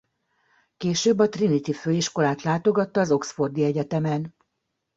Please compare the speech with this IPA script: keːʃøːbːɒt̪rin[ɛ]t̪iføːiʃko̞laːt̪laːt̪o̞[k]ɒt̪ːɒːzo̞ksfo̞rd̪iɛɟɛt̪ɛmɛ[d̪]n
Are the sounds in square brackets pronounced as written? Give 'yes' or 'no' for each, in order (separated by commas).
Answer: no, no, no